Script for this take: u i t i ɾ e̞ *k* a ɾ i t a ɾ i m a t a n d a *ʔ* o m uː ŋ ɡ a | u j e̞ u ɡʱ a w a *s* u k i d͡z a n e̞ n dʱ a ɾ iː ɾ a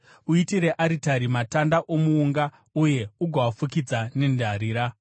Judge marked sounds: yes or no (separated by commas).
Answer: no, yes, no